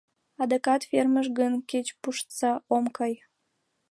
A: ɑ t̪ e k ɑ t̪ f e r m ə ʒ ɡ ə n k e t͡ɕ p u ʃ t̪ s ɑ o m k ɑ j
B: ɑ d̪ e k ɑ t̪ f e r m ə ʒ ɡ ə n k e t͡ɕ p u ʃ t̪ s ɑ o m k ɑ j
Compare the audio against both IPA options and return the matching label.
B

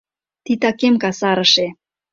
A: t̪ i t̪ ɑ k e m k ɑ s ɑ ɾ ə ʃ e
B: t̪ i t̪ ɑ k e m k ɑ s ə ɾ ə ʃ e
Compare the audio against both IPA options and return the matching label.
A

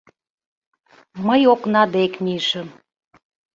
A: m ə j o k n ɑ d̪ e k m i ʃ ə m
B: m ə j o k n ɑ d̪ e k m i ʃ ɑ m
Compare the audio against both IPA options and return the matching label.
A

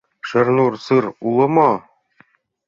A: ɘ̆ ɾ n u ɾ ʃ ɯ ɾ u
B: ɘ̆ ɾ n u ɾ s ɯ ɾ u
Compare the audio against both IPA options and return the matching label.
B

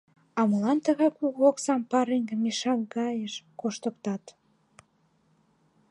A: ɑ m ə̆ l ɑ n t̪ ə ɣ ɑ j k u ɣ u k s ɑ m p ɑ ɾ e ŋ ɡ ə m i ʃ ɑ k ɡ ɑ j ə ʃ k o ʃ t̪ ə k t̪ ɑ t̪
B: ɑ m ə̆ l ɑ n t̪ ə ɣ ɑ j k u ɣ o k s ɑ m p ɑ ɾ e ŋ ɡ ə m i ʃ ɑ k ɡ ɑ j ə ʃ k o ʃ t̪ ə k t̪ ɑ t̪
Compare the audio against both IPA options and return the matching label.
B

